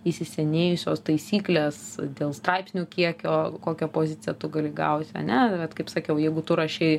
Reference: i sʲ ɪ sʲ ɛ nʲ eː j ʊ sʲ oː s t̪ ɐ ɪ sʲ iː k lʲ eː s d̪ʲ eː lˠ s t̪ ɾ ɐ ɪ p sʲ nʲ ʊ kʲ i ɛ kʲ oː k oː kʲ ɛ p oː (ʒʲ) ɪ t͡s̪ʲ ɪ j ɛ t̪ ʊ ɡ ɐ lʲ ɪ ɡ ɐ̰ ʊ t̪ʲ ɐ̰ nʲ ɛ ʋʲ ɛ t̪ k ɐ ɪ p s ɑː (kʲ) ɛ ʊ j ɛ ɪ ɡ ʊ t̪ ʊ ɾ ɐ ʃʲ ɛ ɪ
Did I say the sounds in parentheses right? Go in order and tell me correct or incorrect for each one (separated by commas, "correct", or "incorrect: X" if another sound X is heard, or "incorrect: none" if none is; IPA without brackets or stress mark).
incorrect: zʲ, correct